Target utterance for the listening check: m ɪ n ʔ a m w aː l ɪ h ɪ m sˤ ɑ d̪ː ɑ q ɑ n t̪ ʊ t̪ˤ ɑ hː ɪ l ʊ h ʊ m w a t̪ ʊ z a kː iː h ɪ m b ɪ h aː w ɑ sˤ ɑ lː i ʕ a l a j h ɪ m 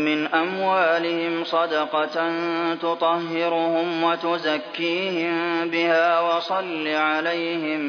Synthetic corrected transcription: m ɪ n ʔ a m w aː l ɪ h ɪ m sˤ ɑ d̪ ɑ q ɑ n t̪ ʊ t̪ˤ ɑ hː ɪ ɾ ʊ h ʊ m w a t̪ ʊ z a kː iː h ɪ m b ɪ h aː w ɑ sˤ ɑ lː i ʕ a l a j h ɪ m